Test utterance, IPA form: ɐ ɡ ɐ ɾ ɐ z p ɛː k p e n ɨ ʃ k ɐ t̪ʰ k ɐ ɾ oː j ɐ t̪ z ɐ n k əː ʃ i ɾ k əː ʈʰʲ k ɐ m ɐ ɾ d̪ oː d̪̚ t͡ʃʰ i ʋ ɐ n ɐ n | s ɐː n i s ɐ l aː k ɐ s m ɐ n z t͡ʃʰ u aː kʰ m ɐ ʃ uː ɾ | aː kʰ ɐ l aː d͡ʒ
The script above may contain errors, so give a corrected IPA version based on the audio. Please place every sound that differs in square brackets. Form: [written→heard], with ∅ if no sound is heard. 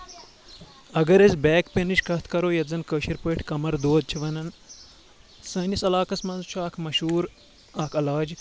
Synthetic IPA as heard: ɐ ɡ ɐ ɾ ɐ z [p→b] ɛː k p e n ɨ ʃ k ɐ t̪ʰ k ɐ ɾ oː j ɐ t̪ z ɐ n k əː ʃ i ɾ [k→p] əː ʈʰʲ k ɐ m ɐ ɾ d̪ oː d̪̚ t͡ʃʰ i ʋ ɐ n ɐ n | s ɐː n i s ɐ l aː k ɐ s m ɐ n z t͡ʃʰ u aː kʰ m ɐ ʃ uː ɾ | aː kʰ ɐ l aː d͡ʒ